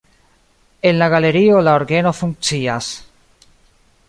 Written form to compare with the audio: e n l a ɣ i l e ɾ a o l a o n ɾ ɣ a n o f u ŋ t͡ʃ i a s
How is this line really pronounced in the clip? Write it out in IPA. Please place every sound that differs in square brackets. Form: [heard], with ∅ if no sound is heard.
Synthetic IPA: e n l a ɣ [a] l e ɾ [i] o l a o [∅] ɾ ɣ [e] n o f u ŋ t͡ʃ i a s